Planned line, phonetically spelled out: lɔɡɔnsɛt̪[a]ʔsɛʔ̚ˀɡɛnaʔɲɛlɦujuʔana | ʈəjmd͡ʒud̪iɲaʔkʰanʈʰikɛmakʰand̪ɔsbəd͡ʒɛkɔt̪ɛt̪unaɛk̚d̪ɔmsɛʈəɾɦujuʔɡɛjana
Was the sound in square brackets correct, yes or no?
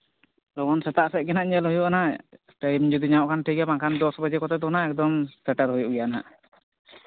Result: yes